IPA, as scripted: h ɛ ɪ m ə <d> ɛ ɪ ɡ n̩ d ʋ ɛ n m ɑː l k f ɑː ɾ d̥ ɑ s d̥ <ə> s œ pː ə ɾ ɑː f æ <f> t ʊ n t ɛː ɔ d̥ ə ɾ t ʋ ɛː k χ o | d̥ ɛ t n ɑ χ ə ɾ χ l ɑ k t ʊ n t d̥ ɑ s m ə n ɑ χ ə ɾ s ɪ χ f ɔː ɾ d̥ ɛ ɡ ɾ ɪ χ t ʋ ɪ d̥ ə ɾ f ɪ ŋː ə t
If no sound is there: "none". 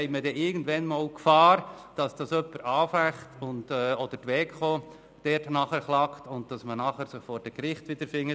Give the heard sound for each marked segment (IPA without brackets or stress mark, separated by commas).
d, ɑ, χ